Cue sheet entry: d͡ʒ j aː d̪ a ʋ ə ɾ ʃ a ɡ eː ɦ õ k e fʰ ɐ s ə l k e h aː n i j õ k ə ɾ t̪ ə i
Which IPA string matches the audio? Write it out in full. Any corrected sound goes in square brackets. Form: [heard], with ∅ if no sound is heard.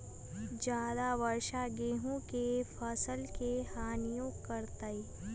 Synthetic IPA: d͡ʒ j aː d̪ a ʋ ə ɾ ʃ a ɡ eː ɦ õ k e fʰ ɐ s ə l k e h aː n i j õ k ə ɾ t̪ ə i